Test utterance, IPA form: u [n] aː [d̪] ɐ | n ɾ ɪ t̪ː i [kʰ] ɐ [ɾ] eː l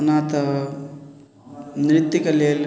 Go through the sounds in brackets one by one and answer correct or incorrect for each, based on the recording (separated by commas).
correct, incorrect, incorrect, incorrect